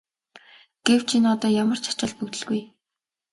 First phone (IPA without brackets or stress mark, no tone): ɡ̥